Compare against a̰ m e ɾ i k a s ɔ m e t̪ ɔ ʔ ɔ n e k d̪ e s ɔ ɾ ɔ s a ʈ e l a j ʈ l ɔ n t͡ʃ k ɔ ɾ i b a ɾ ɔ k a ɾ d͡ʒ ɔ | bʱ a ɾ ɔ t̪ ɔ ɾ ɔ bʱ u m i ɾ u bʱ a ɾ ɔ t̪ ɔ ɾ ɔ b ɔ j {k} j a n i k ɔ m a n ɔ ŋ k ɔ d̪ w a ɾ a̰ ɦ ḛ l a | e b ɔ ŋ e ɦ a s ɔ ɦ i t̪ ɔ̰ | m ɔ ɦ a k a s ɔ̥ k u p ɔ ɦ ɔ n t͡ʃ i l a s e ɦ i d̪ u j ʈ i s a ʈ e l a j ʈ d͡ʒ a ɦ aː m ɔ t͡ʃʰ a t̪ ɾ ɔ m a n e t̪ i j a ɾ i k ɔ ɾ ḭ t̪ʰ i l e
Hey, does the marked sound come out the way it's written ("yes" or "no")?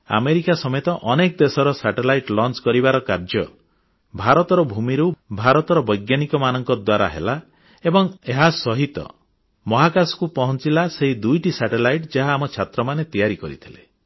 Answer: no